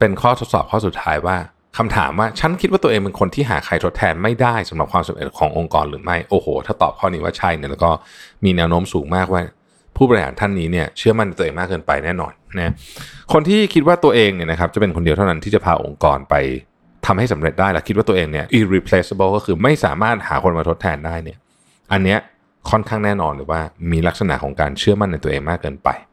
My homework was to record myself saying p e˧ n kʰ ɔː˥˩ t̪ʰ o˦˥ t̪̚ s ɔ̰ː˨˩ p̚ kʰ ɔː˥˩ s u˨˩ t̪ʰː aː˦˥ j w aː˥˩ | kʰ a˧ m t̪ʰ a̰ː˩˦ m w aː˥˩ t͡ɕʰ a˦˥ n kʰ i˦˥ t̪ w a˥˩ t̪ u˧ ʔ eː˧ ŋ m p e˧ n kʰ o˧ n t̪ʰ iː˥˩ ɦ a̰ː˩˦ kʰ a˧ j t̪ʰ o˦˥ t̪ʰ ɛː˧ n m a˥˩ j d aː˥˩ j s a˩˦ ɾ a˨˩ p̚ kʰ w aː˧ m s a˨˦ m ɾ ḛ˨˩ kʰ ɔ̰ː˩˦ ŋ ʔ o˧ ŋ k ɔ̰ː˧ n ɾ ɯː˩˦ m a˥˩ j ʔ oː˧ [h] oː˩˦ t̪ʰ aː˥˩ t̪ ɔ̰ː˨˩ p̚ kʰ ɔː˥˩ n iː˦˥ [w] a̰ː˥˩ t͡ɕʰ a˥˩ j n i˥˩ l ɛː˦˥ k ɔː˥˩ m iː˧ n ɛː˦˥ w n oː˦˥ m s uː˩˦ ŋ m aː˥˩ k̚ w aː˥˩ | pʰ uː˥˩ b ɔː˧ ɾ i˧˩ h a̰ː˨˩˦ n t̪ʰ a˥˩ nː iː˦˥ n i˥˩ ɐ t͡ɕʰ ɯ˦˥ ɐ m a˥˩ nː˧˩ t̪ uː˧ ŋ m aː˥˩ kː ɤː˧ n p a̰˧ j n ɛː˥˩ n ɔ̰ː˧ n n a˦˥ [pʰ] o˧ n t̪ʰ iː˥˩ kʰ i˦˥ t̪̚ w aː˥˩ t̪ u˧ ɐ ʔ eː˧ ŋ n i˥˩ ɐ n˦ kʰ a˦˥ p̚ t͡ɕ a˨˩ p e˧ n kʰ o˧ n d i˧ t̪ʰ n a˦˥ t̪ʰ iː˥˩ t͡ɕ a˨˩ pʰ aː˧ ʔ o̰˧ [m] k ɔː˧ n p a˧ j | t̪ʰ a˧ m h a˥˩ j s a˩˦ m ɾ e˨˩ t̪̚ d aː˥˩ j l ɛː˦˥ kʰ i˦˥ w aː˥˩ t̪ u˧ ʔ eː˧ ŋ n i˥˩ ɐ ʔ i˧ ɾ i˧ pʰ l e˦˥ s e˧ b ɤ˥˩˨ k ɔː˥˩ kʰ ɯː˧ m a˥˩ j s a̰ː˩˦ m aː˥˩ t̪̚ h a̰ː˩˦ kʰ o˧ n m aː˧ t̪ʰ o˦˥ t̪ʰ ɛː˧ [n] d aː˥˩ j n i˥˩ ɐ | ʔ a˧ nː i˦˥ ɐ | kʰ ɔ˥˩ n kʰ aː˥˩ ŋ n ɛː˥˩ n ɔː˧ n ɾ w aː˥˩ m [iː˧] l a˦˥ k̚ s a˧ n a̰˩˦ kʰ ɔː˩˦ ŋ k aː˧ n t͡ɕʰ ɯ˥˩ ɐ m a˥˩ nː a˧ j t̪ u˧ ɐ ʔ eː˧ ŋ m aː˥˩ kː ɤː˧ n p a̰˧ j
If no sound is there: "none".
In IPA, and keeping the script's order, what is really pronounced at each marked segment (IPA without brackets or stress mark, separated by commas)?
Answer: h, w, kʰ, ŋ, n, iː˧